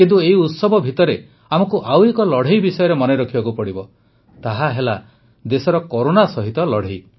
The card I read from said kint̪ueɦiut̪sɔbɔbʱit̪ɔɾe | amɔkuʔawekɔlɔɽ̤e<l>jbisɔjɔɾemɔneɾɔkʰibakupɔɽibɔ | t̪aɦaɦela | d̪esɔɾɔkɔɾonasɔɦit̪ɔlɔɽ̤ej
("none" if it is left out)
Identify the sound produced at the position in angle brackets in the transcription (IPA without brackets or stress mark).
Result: none